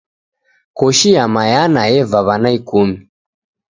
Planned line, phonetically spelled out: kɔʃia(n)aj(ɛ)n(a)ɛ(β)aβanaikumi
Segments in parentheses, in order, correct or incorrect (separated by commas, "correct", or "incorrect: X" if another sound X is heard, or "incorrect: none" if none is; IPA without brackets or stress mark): incorrect: m, incorrect: a, correct, incorrect: v